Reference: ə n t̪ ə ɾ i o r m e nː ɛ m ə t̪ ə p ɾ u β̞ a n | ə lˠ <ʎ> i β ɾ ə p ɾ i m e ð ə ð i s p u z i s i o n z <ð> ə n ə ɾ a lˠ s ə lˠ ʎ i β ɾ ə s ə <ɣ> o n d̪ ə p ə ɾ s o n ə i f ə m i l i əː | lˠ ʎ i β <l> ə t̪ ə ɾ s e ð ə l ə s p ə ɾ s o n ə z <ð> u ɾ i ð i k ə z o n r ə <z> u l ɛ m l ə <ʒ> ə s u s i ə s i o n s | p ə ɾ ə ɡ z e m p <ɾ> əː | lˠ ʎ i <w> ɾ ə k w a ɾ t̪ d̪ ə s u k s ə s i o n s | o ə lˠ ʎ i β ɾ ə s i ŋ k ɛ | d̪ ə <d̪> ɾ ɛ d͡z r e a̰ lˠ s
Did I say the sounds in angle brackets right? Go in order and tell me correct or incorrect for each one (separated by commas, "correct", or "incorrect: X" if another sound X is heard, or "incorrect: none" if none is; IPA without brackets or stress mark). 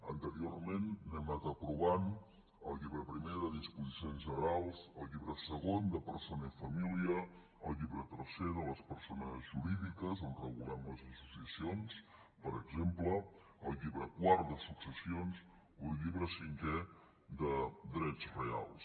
correct, incorrect: ʒ, correct, incorrect: ɾ, incorrect: ʒ, incorrect: ɣ, incorrect: z, incorrect: l, incorrect: β, correct